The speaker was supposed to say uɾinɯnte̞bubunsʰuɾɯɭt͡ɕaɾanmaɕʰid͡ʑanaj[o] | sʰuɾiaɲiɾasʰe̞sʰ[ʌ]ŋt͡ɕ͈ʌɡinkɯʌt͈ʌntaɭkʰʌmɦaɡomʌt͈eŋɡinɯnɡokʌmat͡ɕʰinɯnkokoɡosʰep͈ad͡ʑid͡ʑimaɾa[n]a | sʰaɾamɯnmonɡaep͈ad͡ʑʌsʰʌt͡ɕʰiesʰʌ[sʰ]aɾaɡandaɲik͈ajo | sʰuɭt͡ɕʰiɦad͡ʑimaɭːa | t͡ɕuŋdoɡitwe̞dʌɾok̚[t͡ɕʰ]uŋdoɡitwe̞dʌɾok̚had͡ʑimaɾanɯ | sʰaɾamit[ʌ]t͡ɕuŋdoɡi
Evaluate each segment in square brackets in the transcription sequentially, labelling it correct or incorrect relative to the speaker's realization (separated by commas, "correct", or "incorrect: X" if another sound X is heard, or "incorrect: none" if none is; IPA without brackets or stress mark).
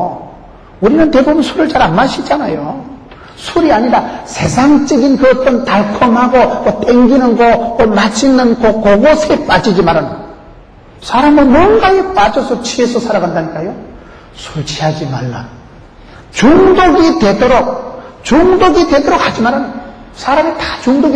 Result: correct, incorrect: a, correct, correct, incorrect: t͡ɕ, incorrect: a